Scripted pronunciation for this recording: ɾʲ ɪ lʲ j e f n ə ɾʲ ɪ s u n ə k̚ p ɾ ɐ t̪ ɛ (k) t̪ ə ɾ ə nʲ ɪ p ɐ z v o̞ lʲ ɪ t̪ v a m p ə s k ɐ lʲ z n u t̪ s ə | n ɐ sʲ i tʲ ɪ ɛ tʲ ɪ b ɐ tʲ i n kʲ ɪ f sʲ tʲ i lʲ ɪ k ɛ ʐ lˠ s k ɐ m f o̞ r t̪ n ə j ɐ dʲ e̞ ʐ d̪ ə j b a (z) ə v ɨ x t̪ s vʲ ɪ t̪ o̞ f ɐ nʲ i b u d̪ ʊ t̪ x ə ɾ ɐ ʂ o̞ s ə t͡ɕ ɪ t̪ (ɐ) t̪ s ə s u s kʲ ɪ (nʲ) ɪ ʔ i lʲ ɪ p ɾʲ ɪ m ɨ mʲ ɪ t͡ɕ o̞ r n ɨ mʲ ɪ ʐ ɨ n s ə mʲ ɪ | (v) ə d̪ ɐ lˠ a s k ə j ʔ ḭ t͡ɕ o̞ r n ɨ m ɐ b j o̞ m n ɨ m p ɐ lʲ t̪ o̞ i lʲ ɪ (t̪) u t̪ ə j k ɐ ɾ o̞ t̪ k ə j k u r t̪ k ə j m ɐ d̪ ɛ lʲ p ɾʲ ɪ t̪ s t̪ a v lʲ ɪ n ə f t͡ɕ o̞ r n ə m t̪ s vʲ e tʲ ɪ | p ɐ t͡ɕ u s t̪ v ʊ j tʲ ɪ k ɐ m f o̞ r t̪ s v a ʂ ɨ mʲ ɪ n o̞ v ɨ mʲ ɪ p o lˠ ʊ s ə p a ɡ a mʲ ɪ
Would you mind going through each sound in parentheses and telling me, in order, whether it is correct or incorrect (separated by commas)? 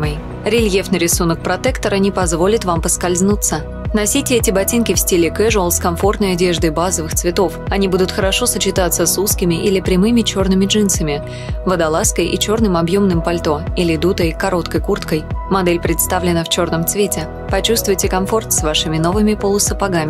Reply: correct, correct, incorrect, incorrect, correct, incorrect